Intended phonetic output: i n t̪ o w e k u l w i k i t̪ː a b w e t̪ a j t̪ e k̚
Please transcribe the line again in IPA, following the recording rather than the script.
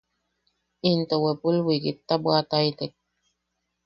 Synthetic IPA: i n t̪ o w e p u l w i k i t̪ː a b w a t̪ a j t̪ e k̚